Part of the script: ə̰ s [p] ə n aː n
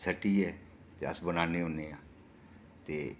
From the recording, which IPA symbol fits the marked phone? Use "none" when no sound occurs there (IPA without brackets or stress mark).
b